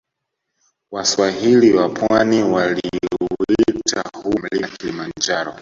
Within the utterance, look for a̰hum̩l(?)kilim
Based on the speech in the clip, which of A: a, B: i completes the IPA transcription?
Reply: B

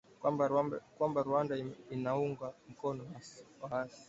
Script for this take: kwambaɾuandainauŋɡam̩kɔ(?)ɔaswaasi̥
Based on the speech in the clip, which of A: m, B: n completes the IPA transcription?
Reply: B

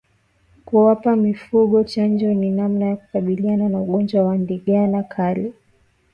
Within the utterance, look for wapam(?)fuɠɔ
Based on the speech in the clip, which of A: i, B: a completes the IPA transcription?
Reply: A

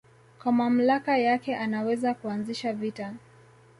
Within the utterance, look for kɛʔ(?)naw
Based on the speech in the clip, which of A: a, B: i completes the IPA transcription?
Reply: A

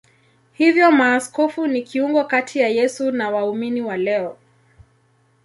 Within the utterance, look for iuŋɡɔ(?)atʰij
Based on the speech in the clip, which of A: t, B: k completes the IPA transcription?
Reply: B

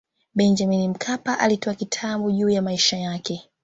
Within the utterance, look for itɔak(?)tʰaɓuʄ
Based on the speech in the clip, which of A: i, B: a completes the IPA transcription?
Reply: A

